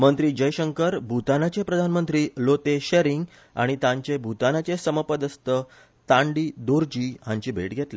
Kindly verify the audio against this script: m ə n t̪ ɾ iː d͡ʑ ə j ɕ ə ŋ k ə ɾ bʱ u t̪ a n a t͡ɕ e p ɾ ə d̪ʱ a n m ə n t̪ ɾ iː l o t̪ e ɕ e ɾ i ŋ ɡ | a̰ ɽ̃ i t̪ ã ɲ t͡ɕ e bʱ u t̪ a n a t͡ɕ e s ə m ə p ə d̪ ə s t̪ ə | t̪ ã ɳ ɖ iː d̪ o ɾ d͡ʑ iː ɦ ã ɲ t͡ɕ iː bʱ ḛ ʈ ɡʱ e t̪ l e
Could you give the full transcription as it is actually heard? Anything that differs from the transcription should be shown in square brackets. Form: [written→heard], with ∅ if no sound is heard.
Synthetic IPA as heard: m ə n t̪ ɾ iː d͡ʑ ə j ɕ ə ŋ k ə ɾ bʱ u t̪ a n a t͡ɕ e p ɾ ə d̪ʱ a n m ə n t̪ ɾ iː l o t̪ e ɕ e ɾ i ŋ ɡ | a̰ ɽ̃ i t̪ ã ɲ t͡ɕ e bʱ u t̪ a n a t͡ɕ e s ə m ə p ə d̪ ə s t̪ ə | t̪ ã ɳ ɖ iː d̪ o ɾ d͡ʑ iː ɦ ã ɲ t͡ɕ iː bʱ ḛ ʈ ɡʱ e t̪ l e